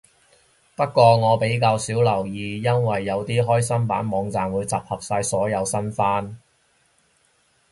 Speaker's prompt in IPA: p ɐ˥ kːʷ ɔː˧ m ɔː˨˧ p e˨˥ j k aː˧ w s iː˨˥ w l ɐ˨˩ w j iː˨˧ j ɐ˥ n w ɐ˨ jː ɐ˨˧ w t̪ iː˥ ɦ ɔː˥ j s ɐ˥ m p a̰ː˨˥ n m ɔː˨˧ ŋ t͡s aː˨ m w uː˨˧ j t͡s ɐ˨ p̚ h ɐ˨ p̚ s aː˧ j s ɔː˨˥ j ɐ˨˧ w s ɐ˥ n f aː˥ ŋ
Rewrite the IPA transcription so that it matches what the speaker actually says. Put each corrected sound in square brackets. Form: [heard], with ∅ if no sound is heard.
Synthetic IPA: p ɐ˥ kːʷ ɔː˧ [ŋ] ɔː˨˧ p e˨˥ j k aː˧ w s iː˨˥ w l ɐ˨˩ w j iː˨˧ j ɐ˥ n w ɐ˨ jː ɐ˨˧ w t̪ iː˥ ɦ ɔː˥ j s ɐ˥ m p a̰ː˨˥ n m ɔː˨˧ ŋ t͡s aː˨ m w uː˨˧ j t͡s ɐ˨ p̚ h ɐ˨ p̚ s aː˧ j s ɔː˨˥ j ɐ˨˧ w s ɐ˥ n f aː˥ [n]